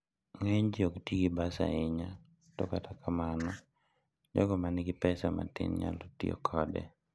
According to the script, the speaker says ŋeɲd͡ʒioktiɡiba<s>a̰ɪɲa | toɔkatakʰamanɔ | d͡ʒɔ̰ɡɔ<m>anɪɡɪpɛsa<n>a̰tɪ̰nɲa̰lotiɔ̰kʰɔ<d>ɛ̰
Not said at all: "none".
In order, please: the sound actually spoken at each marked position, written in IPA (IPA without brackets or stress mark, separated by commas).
s, m, m, d